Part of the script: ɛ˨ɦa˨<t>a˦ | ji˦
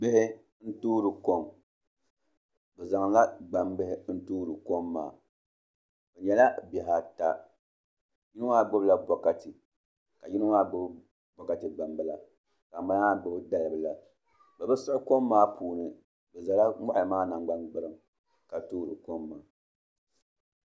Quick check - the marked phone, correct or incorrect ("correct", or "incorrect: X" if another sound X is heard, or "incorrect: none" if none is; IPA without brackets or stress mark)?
correct